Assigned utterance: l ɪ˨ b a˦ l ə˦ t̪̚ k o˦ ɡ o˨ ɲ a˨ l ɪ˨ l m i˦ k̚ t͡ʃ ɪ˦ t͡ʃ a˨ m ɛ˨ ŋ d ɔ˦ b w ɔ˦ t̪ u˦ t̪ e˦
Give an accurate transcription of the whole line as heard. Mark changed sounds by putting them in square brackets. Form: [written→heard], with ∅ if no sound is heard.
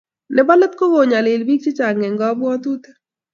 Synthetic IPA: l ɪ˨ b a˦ l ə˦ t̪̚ k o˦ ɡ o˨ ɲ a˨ l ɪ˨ l [m→b] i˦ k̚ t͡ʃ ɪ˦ t͡ʃ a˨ [m→ŋ] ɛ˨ ŋ [d→ɡ] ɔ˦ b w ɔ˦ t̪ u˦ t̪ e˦